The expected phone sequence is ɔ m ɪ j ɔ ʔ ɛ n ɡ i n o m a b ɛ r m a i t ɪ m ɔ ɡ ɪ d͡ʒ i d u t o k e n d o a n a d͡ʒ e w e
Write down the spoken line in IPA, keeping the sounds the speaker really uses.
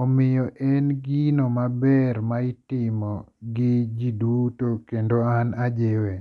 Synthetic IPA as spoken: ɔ m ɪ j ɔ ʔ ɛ n ɡ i n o m a b ɛ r m a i t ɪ m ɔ ɡ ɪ d͡ʒ i d u t o k e n d o a n a d͡ʒ e w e